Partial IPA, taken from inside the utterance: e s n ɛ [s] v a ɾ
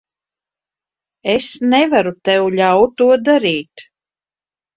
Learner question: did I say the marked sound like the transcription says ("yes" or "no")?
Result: no